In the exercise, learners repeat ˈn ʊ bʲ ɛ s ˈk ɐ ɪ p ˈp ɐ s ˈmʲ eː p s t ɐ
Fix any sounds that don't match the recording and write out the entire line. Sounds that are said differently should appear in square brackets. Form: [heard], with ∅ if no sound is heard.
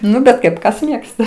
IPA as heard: ˈn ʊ bʲ ɛ [t] ˈk ɐ ɪ p [ˈk] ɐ s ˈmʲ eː [k] s t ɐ

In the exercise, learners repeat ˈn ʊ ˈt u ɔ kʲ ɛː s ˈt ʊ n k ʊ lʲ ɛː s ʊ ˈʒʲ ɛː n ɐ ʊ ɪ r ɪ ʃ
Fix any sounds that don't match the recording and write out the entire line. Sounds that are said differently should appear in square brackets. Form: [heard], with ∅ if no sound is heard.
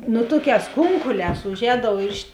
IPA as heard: ˈn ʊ ˈt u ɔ kʲ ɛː s [ˈk] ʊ [ŋ] k ʊ lʲ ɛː s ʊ ˈʒʲ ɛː [d] ɐ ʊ ɪ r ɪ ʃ

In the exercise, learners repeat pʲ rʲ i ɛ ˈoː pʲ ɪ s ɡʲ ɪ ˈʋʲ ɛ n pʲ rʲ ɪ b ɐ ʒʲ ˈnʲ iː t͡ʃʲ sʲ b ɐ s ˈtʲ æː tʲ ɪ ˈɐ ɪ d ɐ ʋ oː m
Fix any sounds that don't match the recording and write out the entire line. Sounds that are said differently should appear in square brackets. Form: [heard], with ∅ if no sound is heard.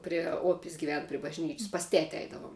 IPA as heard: pʲ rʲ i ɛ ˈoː pʲ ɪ s ɡʲ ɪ ˈʋʲ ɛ n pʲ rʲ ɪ b ɐ ʒʲ ˈnʲ iː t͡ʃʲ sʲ [p] ɐ s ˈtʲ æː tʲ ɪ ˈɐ ɪ d ɐ ʋ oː m

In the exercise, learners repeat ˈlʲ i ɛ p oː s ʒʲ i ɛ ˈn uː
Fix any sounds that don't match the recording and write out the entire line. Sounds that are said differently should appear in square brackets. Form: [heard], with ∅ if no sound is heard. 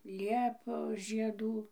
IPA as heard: ˈlʲ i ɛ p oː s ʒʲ i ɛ [ˈd] uː

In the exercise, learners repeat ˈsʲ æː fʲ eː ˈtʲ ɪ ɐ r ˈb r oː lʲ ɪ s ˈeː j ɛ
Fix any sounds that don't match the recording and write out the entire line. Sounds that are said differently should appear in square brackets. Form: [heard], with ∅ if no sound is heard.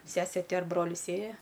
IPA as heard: ˈsʲ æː [sʲ] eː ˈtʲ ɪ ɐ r ˈb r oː lʲ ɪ s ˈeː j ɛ

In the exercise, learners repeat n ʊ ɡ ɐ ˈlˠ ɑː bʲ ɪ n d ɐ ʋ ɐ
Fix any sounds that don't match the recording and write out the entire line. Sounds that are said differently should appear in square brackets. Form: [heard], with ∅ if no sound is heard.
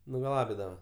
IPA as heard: n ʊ ɡ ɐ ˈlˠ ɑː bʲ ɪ [∅] d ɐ ʋ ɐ

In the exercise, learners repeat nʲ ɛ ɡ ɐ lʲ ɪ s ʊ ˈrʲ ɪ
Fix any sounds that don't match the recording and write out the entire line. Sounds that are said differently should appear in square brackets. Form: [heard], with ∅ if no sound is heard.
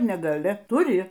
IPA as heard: nʲ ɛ ɡ ɐ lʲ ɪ [t] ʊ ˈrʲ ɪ

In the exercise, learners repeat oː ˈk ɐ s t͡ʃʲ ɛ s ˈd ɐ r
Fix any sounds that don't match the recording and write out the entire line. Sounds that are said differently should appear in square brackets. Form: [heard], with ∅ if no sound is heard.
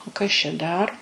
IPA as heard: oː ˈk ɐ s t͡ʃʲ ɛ [∅] ˈd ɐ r

